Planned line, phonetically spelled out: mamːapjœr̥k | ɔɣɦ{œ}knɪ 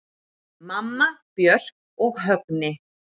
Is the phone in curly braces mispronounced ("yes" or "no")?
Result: no